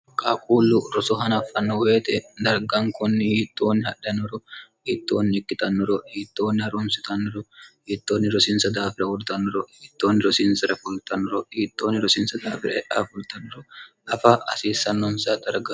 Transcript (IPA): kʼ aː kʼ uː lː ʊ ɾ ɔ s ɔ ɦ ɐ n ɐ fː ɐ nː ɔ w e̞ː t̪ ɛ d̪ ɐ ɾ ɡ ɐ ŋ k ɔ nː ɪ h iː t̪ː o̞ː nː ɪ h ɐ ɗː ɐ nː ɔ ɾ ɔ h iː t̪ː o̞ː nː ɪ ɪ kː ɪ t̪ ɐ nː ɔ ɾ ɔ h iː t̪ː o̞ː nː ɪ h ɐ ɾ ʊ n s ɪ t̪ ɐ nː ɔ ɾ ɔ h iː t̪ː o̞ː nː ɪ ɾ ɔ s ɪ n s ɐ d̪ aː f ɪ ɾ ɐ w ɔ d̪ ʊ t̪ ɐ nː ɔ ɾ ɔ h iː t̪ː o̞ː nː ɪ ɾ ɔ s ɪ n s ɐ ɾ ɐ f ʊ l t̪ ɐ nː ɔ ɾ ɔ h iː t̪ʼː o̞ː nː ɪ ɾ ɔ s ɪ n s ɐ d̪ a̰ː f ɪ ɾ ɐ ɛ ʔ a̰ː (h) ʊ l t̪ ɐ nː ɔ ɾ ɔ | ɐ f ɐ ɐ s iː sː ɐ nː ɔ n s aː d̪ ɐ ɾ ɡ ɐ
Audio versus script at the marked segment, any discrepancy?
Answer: yes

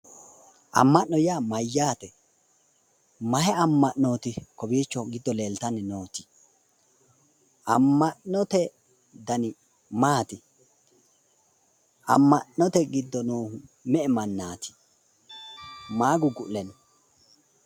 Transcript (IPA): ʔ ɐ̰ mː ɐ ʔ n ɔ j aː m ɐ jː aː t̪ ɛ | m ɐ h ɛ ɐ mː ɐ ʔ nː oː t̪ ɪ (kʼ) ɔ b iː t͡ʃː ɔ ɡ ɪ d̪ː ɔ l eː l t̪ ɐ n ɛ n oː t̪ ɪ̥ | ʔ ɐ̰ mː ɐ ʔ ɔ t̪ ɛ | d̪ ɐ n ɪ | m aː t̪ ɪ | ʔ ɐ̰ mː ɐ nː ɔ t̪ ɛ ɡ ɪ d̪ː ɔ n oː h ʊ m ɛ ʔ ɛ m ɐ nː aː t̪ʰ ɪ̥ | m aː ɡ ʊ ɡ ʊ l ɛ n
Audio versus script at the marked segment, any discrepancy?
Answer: yes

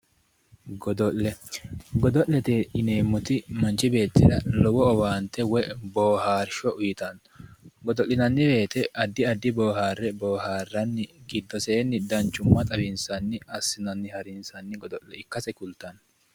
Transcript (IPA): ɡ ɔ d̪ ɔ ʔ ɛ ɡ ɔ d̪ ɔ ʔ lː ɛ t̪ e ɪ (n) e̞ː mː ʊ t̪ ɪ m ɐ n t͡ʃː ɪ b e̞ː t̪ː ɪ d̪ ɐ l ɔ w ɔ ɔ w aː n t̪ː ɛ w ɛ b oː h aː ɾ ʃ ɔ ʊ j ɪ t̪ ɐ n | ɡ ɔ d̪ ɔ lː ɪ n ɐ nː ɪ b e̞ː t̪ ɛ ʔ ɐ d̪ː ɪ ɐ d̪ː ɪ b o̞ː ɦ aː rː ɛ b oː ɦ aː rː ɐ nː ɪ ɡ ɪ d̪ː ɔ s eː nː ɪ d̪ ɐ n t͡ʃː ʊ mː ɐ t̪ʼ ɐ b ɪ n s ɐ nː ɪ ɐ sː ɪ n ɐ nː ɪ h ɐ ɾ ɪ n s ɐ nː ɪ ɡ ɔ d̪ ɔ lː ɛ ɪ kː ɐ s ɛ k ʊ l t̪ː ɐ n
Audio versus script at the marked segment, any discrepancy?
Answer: no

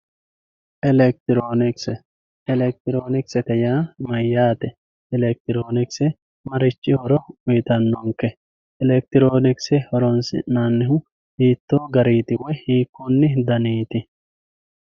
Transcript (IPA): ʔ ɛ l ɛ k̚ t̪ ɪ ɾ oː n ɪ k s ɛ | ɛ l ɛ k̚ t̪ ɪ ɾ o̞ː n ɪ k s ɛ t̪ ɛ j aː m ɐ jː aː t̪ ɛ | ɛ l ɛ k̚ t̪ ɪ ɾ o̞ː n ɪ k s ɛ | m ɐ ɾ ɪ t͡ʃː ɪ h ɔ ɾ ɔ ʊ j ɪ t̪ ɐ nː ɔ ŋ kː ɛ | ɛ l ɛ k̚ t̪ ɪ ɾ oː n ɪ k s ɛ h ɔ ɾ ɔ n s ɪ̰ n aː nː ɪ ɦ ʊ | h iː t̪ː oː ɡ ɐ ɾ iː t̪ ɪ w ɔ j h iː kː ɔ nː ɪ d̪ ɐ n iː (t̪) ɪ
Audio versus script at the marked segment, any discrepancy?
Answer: no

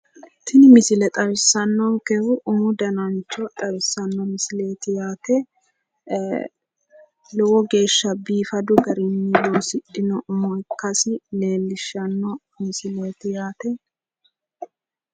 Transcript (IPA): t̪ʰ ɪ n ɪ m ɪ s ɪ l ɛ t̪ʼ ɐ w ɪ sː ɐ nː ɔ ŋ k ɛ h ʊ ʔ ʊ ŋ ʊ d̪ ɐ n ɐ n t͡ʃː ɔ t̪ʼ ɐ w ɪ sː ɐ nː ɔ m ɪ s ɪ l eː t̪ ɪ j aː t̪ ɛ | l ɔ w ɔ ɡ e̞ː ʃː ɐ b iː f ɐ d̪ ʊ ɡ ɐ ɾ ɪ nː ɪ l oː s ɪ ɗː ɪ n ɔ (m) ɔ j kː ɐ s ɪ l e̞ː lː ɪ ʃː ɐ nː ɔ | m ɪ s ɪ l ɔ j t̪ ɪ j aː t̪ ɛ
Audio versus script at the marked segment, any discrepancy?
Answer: no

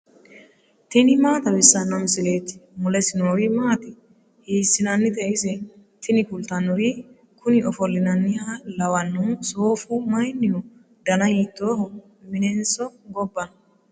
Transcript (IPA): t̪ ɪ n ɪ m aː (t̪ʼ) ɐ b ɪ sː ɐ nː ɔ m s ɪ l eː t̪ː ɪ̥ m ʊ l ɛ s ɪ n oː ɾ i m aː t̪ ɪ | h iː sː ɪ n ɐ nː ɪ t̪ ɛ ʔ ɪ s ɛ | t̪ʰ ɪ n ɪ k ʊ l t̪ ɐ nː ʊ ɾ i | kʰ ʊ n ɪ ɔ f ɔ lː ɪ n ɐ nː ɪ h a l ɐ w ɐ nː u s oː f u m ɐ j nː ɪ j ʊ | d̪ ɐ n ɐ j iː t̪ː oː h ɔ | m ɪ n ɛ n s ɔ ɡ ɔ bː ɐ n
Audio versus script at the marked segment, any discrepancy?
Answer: yes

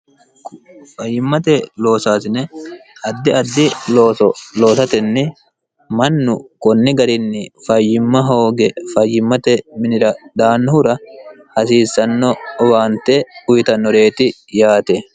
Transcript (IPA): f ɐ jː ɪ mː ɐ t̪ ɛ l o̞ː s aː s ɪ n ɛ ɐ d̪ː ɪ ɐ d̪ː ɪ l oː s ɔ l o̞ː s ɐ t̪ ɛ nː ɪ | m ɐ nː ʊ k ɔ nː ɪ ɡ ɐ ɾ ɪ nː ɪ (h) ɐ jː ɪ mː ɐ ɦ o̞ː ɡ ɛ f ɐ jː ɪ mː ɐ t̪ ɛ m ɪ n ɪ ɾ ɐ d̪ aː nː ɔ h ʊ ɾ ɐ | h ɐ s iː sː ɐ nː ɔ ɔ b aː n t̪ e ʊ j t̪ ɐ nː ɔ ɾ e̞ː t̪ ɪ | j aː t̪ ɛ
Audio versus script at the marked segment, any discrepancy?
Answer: yes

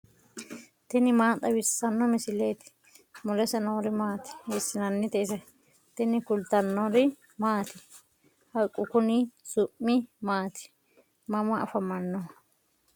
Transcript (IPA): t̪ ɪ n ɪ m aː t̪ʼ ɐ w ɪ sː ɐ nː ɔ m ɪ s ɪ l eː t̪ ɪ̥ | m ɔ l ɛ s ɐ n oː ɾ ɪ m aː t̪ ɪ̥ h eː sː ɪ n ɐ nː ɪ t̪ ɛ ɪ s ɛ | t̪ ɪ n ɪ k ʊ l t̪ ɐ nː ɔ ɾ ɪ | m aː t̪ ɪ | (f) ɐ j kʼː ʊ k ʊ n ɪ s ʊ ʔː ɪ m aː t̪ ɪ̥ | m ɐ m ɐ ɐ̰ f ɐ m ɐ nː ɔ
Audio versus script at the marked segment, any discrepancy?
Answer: yes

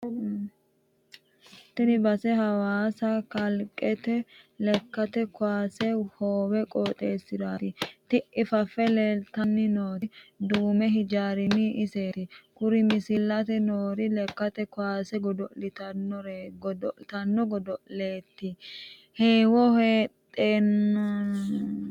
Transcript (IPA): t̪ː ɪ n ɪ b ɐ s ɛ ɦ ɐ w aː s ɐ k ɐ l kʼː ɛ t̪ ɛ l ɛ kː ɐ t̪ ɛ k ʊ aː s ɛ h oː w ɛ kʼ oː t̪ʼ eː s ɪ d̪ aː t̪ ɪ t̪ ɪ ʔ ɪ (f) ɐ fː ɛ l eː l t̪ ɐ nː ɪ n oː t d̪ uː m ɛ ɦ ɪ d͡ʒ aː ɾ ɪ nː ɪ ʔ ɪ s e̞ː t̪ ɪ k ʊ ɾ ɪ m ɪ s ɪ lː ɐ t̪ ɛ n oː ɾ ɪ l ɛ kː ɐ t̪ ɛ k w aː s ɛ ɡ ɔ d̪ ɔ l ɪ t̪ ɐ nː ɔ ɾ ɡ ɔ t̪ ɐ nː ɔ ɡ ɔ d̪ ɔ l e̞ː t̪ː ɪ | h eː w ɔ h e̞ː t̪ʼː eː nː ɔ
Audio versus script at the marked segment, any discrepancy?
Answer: no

